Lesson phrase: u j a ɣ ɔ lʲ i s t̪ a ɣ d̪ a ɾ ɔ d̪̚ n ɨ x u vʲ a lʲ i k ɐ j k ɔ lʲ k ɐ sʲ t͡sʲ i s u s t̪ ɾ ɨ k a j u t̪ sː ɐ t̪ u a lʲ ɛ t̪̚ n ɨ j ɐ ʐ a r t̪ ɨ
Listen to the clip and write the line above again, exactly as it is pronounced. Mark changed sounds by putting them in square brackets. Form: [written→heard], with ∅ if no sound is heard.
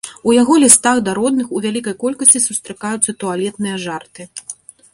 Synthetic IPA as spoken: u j a ɣ ɔ lʲ i s t̪ a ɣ d̪ a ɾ ɔ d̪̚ n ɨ x u vʲ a lʲ i k ɐ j k ɔ lʲ k ɐ sʲ t͡sʲ i s u s t̪ ɾ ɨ k a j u t̪ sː ɐ t̪ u a lʲ ɛ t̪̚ n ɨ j ɐ ʐ a r t̪ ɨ